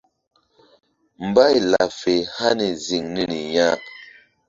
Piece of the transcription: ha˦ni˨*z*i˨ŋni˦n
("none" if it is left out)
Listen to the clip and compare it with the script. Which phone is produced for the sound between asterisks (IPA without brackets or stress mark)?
z